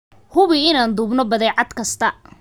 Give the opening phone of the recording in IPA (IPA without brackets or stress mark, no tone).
h